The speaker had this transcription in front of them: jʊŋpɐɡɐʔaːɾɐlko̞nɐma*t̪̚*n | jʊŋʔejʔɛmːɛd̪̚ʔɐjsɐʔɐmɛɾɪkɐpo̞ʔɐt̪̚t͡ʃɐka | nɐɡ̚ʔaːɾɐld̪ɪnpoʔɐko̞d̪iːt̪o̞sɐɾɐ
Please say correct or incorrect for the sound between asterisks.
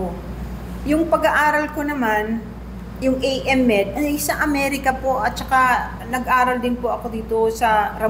incorrect